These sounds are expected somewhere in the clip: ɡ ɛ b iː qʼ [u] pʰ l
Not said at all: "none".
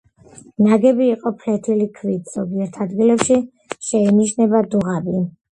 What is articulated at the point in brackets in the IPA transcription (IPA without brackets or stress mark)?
ɔ